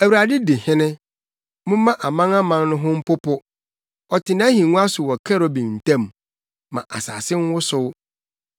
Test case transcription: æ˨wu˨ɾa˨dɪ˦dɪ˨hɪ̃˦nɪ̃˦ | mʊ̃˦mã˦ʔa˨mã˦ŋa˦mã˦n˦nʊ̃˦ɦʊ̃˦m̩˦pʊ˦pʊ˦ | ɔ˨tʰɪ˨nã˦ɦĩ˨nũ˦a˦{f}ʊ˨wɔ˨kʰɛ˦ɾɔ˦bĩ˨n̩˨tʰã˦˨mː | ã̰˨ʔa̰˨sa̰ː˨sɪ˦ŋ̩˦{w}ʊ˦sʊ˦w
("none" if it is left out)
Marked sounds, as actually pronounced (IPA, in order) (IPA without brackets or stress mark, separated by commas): s, w